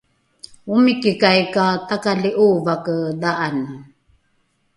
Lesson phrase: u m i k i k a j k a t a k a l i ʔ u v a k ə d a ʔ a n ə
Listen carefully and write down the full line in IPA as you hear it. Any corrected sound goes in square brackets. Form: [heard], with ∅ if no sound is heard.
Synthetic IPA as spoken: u m i k i k a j k a t a k a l i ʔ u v a k ə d a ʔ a n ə